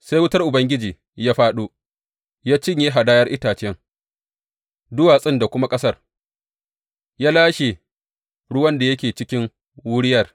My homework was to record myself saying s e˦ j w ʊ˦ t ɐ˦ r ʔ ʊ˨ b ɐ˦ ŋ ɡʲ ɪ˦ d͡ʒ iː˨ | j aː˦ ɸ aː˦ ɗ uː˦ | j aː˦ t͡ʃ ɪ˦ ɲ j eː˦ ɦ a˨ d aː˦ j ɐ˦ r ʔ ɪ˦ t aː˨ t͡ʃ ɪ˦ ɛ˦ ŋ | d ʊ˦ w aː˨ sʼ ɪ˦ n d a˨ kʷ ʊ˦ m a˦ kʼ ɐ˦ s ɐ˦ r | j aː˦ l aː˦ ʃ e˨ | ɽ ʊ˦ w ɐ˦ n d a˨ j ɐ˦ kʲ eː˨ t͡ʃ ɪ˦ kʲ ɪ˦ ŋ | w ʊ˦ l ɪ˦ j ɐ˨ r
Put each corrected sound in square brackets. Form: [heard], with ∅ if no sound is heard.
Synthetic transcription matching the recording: s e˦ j w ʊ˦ t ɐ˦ r ʔ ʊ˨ b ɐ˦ ŋ ɡʲ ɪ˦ d͡ʒ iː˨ | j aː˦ ɸ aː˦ ɗ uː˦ | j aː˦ t͡ʃ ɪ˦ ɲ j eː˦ ɦ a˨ d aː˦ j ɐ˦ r ʔ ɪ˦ t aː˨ t͡ʃ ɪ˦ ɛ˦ ŋ | d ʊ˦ w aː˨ sʼ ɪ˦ n d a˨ kʷ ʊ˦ m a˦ kʼ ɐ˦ s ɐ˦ r | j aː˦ l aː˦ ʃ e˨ | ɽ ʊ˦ w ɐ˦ n d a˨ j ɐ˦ kʲ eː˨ t͡ʃ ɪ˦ kʲ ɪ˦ ŋ | w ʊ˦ [ɽ] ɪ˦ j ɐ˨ r

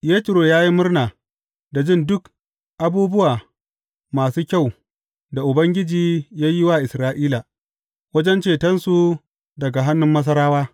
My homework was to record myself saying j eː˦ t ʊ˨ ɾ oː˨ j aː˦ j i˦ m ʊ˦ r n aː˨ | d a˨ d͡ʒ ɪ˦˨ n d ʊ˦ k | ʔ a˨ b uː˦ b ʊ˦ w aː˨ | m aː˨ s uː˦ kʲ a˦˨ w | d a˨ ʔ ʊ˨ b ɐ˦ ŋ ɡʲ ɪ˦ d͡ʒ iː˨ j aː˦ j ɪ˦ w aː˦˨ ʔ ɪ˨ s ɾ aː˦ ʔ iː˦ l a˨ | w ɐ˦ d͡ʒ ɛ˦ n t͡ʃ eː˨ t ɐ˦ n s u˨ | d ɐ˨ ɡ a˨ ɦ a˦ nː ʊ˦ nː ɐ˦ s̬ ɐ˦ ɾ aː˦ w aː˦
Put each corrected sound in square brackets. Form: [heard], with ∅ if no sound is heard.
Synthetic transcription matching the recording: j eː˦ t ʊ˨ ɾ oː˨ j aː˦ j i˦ m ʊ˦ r n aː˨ | d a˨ d͡ʒ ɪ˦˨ n d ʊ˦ k | ʔ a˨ b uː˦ b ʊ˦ w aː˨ | m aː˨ s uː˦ kʲ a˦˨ w | d a˨ ʔ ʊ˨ b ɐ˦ ŋ ɡʲ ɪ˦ d͡ʒ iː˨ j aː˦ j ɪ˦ w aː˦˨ ʔ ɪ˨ s ɾ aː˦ ʔ iː˦ l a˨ | w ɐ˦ d͡ʒ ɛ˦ n t͡ʃ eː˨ t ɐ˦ n s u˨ | d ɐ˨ ɡ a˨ ɦ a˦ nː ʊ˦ [mː] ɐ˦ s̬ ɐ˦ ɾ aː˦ w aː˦

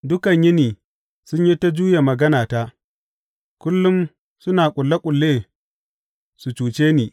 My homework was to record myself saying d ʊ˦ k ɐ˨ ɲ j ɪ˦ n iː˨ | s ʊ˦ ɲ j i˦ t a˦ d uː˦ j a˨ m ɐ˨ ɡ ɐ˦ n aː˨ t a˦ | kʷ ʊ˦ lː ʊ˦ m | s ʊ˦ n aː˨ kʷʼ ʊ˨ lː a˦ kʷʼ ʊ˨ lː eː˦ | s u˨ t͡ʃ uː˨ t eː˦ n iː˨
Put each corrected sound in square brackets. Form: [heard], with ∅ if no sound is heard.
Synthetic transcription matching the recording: d ʊ˦ k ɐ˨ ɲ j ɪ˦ n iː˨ | s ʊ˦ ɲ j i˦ t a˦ [d͡ʒ] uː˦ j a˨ m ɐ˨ ɡ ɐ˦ n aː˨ t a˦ | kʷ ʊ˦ lː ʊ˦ m | s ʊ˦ n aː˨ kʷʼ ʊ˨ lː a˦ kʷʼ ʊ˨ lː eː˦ | s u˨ t͡ʃ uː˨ [t͡ʃ] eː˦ n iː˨

